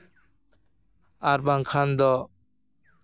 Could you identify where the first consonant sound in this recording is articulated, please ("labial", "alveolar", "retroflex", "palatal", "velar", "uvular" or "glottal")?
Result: alveolar